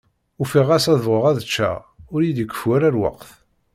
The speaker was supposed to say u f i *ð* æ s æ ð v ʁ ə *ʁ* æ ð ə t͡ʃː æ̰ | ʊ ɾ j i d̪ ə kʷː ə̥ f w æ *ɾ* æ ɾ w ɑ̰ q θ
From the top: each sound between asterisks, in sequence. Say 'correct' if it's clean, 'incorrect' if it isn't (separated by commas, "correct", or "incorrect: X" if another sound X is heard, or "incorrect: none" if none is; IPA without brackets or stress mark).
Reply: incorrect: ʁ, correct, correct